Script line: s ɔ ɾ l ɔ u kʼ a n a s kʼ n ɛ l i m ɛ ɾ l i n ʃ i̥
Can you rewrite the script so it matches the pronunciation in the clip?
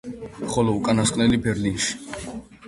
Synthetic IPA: χ ɔ l ɔ u kʼ a n a s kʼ n ɛ l i b ɛ ɾ l i n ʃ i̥

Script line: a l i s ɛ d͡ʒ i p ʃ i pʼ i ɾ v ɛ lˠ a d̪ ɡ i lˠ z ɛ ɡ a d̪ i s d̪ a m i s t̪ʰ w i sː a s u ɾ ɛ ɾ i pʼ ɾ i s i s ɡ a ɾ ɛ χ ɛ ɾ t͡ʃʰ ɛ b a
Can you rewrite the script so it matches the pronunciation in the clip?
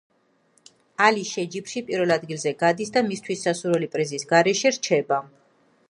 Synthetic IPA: a l i ʃ ɛ d͡ʒ i p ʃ i pʼ i ɾ v ɛ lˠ a d̪ ɡ i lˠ z ɛ ɡ a d̪ i s d̪ a m i s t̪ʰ w i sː a s u ɾ ɛ l i pʼ ɾ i z i s ɡ a ɾ ɛ ʃ ɛ ɾ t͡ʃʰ ɛ b a

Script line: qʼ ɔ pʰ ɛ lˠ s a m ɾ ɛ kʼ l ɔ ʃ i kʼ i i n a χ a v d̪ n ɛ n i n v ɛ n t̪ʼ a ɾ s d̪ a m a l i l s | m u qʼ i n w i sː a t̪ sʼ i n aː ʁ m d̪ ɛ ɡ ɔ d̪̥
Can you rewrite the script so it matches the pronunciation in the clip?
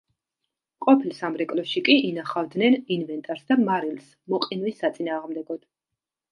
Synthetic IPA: qʼ ɔ pʰ i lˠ s a m ɾ ɛ kʼ l ɔ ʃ i kʼ i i n a χ a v d̪ n ɛ n i n v ɛ n t̪ʼ a ɾ s d̪ a m a ɾ i l s | m ɔ qʼ i n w i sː a t̪ sʼ i n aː ʁ m d̪ ɛ ɡ ɔ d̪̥

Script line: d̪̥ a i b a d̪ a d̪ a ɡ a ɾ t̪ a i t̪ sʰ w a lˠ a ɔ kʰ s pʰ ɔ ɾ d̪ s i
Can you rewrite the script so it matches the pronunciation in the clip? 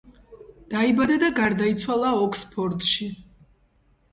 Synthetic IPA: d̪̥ a i b a d̪ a d̪ a ɡ a ɾ d̪ a i t̪ sʰ w a lˠ a ɔ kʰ s pʰ ɔ ɾ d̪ ʃ i

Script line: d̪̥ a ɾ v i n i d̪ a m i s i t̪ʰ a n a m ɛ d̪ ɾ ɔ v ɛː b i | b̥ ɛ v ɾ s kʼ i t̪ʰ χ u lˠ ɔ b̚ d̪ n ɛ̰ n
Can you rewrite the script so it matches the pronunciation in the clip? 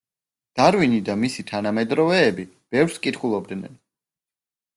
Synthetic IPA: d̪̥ a ɾ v i n i d̪ a m i s i t̪ʰ a n a m ɛ d̪ ɾ ɔ v ɛː b i | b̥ ɛ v ɾ s kʼ i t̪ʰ χ u lˠ ɔ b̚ d̪ n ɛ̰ n

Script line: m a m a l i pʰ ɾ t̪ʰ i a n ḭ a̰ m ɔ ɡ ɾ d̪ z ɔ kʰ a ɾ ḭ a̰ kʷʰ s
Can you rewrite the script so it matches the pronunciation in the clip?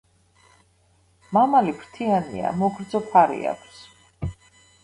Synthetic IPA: m a m a l i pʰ ɾ t̪ʰ i a n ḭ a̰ m ɔ ɡ ɾ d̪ z ɔ pʰ a ɾ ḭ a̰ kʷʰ s

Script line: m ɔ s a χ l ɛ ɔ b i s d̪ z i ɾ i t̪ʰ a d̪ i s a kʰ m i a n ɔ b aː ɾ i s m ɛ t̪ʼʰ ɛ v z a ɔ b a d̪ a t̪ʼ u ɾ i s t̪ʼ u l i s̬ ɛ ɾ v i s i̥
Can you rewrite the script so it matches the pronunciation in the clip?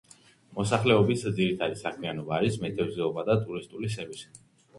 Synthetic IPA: m ɔ s a χ l ɛ ɔ b i s d̪ z i ɾ i t̪ʰ a d̪ i s a kʰ m i a n ɔ b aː ɾ i s m ɛ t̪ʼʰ ɛ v z ɛ ɔ b a d̪ a t̪ʼ u ɾ i s t̪ʼ u l i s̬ ɛ ɾ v i s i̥

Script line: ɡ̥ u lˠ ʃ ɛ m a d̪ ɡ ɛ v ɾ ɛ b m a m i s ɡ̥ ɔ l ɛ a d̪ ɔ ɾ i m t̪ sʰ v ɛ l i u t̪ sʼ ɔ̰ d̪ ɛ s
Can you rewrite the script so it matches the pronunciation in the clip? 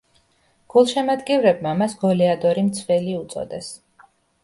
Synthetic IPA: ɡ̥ u lˠ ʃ ɛ m a d̪ ɡ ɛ v ɾ ɛ b m a m a s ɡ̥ ɔ l ɛ a d̪ ɔ ɾ i m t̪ sʰ v ɛ l i u t̪ sʼ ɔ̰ d̪ ɛ s

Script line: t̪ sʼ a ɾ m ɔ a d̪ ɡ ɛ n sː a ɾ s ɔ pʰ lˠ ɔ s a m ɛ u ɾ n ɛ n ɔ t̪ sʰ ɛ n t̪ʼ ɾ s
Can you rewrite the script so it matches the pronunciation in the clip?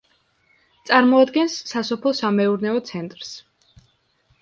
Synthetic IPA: t̪ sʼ a ɾ m ɔ a d̪ ɡ ɛ n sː a s ɔ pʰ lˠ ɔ s a m ɛ u ɾ n ɛ ɔ t̪ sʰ ɛ n t̪ʼ ɾ s

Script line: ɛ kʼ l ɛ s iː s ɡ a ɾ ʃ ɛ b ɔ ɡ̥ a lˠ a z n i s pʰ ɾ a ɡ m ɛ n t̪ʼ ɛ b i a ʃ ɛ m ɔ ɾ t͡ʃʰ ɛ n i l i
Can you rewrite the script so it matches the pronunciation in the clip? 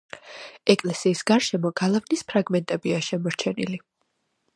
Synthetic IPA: ɛ kʼ l ɛ s iː s ɡ a ɾ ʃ ɛ m ɔ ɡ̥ a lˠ a v n i s pʰ ɾ a ɡ m ɛ n t̪ʼ ɛ b i a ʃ ɛ m ɔ ɾ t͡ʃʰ ɛ n i l i

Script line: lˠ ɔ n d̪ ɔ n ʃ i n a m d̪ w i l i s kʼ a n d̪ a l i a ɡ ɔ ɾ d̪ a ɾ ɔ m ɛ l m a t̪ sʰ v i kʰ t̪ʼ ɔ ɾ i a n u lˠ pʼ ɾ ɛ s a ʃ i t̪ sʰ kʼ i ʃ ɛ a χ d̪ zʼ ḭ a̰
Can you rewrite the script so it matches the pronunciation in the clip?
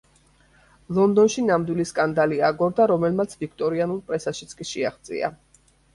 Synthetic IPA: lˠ ɔ n d̪ ɔ n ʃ i n a m d̪ w i l i s kʼ a n d̪ a l i a ɡ ɔ ɾ d̪ a ɾ ɔ m ɛ l m a t̪ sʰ v i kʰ t̪ʼ ɔ ɾ i a n u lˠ pʼ ɾ ɛ s a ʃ i t̪ sʰ kʼ i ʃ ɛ a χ d̪ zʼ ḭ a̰

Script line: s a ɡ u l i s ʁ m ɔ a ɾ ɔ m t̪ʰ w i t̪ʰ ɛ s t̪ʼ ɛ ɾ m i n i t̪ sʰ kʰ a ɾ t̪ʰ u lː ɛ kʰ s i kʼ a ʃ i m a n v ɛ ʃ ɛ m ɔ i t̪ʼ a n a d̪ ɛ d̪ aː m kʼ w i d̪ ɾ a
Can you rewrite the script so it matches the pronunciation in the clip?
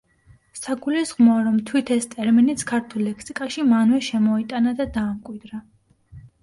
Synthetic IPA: s a ɡ u l i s ʁ m ɔ a ɾ ɔ m t̪ʰ w i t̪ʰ ɛ s t̪ʼ ɛ ɾ m i n i t̪ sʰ kʰ a ɾ t̪ʰ u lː ɛ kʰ s i kʼ a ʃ i m a n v ɛ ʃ ɛ m ɔ i t̪ʼ a n a d̪ a d̪ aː m kʼ w i d̪ ɾ a

